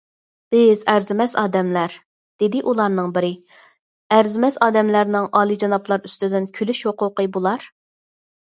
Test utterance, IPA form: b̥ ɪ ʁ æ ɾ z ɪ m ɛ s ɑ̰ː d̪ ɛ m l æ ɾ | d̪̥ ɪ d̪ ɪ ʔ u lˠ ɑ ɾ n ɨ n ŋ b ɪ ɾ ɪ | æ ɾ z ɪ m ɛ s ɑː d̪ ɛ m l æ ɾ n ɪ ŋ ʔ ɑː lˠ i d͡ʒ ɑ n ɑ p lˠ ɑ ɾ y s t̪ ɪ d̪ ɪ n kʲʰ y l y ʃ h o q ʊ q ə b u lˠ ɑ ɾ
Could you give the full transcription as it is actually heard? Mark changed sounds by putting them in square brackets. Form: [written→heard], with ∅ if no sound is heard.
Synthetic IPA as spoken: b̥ ɪ [ʁ→z] æ ɾ z ɪ m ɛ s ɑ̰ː d̪ ɛ m l æ ɾ | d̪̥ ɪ d̪ ɪ ʔ u lˠ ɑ ɾ n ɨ [n→∅] ŋ b ɪ ɾ ɪ | æ ɾ z ɪ m ɛ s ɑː d̪ ɛ m l æ ɾ n ɪ ŋ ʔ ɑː lˠ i d͡ʒ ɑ n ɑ p lˠ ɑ ɾ y s t̪ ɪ d̪ ɪ n kʲʰ y l y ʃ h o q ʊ q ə b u lˠ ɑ ɾ